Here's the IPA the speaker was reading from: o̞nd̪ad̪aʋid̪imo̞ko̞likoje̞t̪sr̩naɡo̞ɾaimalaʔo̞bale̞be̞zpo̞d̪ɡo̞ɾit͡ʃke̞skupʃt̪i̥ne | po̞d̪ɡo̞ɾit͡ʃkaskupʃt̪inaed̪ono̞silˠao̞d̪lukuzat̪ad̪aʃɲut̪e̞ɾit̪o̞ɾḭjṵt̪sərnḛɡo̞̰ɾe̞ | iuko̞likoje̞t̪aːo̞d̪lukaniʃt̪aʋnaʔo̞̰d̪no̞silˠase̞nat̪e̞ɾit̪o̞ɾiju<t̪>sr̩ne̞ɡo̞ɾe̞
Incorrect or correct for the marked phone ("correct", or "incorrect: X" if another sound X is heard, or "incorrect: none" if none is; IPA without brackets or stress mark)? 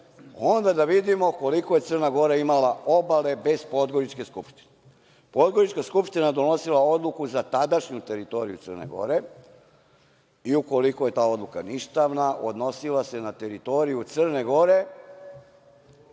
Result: correct